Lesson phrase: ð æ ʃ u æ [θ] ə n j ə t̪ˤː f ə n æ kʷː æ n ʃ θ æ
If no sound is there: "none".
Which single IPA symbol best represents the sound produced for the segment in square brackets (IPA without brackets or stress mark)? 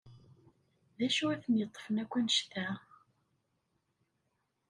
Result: θ